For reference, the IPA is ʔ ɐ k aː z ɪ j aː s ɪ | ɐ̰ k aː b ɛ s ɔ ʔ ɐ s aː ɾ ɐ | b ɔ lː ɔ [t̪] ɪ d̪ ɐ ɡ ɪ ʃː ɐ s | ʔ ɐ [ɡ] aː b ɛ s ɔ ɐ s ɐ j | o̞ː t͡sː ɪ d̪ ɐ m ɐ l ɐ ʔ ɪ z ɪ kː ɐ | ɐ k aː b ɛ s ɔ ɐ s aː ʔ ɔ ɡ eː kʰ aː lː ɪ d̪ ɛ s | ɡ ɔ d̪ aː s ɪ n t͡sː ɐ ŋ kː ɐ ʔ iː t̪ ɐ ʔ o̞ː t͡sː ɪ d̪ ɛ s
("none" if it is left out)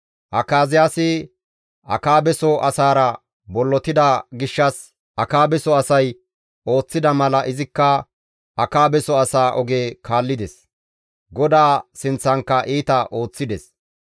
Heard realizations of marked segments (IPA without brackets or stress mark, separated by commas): t̪, k